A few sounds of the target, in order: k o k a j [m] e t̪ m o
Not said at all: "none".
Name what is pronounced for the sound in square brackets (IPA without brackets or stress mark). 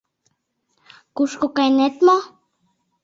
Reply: n